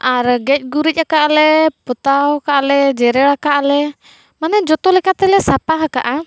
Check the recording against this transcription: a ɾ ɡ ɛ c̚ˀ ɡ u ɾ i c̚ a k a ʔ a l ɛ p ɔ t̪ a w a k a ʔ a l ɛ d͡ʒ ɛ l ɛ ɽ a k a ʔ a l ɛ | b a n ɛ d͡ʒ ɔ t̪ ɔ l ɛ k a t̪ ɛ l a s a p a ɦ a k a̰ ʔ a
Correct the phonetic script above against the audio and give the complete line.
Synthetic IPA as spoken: a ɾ ɡ ɛ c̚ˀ ɡ u ɾ i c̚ a k a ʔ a l ɛ p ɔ t̪ a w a k a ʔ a l ɛ d͡ʒ ɛ ɾ ɛ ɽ a k a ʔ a l ɛ | m a n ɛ d͡ʒ ɔ t̪ ɔ l ɛ k a t̪ ɛ l ɛ s a p a ɦ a k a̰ ʔ a